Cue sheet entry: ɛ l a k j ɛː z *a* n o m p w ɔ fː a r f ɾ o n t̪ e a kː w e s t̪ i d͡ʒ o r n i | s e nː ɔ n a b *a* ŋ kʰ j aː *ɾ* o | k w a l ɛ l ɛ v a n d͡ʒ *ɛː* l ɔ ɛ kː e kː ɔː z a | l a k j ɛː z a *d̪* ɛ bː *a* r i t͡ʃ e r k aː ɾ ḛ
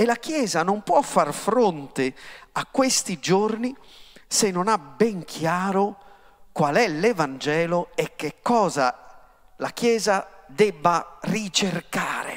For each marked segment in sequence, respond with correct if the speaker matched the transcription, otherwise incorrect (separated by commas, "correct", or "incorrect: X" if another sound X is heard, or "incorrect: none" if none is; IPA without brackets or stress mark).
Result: correct, incorrect: ɛ, correct, correct, correct, correct